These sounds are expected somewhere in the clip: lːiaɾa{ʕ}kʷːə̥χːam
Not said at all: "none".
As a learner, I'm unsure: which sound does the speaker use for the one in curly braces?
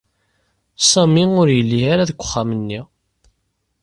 ð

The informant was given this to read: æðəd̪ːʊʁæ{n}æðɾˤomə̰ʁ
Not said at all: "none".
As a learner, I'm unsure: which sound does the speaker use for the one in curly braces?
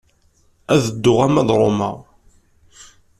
m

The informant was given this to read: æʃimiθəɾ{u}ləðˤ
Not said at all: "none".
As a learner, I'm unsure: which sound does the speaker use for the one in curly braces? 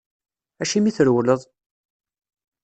w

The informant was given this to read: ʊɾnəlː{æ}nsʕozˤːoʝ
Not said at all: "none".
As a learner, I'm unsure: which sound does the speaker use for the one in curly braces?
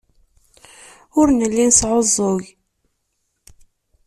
i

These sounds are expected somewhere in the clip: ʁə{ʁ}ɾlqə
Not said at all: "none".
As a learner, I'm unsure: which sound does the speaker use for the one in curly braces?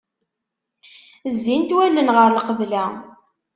none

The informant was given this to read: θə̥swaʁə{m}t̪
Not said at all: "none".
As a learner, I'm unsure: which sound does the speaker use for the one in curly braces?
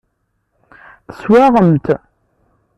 m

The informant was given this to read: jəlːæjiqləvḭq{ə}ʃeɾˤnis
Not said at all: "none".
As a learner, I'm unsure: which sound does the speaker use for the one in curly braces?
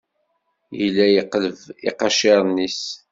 ɑ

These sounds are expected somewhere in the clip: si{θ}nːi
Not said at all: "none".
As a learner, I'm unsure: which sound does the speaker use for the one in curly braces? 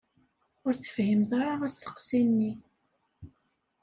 none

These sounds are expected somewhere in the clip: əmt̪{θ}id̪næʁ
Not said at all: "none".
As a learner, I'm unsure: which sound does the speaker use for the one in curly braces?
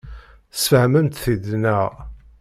θ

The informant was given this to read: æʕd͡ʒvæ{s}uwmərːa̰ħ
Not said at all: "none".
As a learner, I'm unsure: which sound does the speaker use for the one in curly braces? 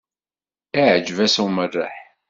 s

